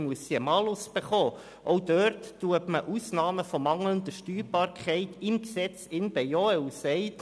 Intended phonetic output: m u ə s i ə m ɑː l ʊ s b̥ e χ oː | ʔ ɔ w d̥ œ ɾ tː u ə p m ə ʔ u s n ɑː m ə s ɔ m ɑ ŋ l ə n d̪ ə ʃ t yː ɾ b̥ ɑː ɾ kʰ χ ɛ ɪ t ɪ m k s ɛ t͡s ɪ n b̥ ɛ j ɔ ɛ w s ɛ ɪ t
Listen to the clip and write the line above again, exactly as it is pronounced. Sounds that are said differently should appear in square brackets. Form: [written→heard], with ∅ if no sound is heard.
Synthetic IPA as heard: m u ə s i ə m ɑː l ʊ s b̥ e χ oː | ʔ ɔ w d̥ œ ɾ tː u ə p m ə ʔ u s n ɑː m ə [s→f] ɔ m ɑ ŋ l ə n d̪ ə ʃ t yː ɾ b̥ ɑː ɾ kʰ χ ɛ ɪ t ɪ m k s ɛ t͡s ɪ n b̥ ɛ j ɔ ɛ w s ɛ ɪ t

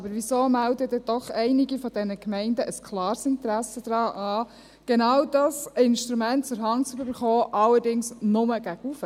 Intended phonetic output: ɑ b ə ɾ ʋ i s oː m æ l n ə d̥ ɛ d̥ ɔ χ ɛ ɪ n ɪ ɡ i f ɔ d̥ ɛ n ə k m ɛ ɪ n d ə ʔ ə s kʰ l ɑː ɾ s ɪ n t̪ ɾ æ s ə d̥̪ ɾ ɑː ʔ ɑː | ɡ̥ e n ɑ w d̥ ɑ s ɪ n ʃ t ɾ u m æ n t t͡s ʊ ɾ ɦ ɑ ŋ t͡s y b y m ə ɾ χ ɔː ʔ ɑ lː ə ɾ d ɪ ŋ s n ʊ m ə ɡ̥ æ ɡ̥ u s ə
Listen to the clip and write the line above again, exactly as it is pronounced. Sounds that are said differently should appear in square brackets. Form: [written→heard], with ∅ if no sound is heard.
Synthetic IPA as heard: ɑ b ə ɾ ʋ i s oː m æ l [n→d] ə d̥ ɛ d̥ ɔ χ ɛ ɪ n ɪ ɡ i f ɔ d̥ ɛ n ə k m ɛ ɪ n d ə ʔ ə s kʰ l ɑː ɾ s ɪ n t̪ ɾ æ s ə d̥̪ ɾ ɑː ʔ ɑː | ɡ̥ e n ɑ w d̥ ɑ s ɪ n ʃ t ɾ u m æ n t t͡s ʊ ɾ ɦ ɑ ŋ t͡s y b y [m→b] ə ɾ χ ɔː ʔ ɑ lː ə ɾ d ɪ ŋ s n ʊ m ə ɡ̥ æ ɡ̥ u [s→f] ə

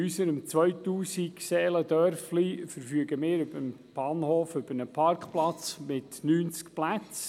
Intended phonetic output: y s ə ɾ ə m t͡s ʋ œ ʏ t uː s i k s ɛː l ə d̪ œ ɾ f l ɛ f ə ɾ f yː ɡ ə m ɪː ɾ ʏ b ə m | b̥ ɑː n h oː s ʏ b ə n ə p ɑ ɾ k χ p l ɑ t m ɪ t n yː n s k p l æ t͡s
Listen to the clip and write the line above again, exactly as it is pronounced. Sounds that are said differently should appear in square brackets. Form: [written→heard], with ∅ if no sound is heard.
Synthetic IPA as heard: y s ə ɾ ə m t͡s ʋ œ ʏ t uː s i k s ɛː l ə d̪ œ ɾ f l [ɛ→i] f ə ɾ f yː ɡ ə m ɪː ɾ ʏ b ə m | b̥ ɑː n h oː [s→f] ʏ b ə n ə [p→pʰ] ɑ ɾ k χ p l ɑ [t→t͡s] m ɪ t n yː n [s→t͡s] k p l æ t͡s

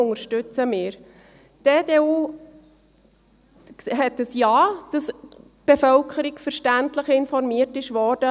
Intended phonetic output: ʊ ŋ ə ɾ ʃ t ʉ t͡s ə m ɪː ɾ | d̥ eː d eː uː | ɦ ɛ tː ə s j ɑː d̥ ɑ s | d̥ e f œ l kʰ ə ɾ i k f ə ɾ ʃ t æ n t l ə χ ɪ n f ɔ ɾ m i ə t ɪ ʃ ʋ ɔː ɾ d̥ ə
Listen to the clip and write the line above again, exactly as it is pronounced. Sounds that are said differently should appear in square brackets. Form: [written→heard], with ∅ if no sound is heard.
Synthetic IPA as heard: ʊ ŋ ə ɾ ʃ t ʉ t͡s ə m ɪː ɾ | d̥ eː d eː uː | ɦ ɛ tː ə s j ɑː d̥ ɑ s | [d̥→b̥] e f œ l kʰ ə ɾ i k f ə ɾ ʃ t æ n t l ə χ ɪ n f ɔ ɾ m i ə t ɪ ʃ ʋ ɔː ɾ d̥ ə

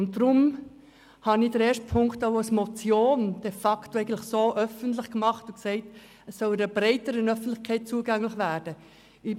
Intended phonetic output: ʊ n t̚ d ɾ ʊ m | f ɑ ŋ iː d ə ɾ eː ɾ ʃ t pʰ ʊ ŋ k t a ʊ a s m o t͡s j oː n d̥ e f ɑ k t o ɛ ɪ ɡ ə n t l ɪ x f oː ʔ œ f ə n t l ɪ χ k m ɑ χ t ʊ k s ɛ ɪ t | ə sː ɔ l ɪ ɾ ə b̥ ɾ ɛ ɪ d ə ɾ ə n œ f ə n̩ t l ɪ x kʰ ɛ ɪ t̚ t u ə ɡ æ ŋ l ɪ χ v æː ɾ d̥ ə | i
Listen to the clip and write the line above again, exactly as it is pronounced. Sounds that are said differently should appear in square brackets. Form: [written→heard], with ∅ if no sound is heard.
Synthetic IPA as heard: ʊ n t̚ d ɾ ʊ m | [f→h] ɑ [ŋ→n] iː d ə ɾ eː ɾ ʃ t pʰ ʊ ŋ k t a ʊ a s m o t͡s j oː n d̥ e f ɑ k t o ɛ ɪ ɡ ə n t l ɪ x [f→s] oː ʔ œ f ə n t l ɪ χ k m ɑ χ t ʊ k s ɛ ɪ t | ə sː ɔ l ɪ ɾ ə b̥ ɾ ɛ ɪ [d→t] ə ɾ ə n œ f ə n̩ t l ɪ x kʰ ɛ ɪ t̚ [t→t͡s] u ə ɡ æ ŋ l ɪ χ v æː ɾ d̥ ə | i

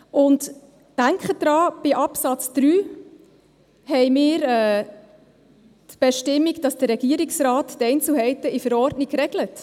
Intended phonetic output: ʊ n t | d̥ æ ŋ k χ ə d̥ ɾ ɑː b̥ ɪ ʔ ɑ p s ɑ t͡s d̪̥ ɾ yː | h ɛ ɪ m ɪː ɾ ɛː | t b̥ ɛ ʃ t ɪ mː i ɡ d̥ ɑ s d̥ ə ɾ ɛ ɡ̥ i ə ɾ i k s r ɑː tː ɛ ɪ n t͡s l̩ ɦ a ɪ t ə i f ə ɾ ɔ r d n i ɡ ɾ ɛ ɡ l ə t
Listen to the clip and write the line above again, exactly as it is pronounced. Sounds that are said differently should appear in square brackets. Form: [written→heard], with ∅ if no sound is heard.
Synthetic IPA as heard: ʊ n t | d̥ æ ŋ k χ ə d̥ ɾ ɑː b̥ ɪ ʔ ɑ p s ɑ t͡s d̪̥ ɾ yː | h ɛ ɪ m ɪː ɾ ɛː | t b̥ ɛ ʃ t ɪ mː i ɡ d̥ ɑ s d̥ ə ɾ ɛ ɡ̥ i ə ɾ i k s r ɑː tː ɛ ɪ n t͡s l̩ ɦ [a→ɛ] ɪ t ə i f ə ɾ ɔ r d n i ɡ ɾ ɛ ɡ l ə t

